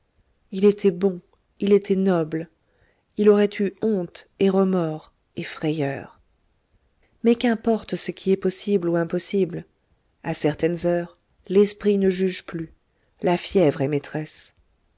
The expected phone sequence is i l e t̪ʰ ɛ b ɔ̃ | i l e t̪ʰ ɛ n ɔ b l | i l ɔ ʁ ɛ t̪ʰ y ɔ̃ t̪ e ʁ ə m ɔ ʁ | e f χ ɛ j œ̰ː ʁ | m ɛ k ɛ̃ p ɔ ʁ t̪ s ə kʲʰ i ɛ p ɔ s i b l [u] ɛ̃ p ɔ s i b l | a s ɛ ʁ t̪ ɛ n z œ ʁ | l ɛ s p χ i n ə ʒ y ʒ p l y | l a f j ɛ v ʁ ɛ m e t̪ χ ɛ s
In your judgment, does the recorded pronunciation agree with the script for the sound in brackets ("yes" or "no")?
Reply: yes